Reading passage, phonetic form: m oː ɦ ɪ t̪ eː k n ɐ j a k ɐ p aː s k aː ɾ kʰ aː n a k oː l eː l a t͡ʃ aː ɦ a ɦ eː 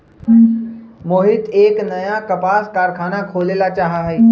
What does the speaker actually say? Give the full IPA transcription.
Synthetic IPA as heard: m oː ɦ ɪ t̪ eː k n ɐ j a k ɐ p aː s k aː ɾ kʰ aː n a kʰ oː l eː l a t͡ʃ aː ɦ a ɦ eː